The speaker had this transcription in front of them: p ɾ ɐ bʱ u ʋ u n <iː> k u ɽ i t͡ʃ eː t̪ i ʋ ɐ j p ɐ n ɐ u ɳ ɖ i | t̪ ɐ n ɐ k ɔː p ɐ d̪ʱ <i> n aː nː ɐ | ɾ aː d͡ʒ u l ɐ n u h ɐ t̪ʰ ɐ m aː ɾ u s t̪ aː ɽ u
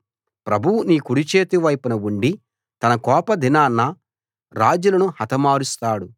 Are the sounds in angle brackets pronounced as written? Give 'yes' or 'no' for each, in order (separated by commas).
yes, yes